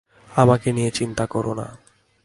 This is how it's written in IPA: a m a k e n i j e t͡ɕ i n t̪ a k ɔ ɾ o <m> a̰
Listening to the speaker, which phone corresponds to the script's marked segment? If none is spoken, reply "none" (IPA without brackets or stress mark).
n